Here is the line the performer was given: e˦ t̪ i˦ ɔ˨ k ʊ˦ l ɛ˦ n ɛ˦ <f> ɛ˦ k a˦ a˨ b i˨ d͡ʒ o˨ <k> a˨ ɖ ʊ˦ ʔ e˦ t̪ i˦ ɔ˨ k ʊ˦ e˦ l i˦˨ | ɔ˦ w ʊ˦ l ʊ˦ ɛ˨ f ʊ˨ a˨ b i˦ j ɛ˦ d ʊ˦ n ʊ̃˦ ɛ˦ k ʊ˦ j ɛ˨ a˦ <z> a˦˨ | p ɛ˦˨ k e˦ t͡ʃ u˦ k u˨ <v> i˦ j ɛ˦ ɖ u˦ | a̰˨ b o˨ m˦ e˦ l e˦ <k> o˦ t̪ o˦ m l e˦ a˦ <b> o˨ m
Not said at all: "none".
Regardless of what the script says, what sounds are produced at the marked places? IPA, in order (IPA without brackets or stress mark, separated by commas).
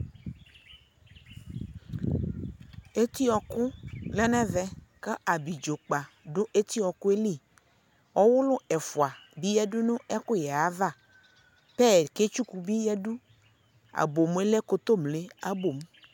v, k͡p, v, b, k, b